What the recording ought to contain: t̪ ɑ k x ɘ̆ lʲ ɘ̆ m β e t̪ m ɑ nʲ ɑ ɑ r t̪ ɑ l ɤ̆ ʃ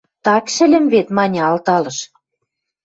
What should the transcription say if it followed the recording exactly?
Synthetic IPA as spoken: t̪ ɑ k ʃ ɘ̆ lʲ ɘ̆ m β e t̪ m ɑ nʲ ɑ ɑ l t̪ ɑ l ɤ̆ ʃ